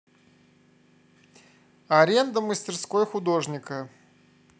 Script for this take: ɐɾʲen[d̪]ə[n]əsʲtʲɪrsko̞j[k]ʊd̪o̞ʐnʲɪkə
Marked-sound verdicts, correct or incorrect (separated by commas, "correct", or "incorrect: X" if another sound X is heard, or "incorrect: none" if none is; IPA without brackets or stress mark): correct, incorrect: m, incorrect: x